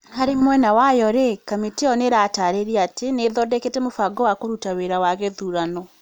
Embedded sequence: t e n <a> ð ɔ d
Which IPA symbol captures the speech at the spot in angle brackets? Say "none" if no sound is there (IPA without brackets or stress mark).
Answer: e